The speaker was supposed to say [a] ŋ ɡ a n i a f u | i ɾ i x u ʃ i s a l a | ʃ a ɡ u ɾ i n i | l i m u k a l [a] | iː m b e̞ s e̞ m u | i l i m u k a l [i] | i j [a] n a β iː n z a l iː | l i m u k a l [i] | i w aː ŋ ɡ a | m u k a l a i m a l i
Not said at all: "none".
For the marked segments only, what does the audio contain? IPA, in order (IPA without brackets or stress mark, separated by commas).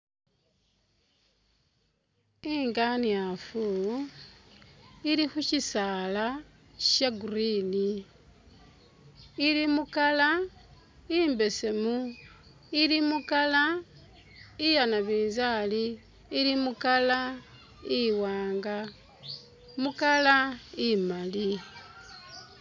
i, a, a, a, a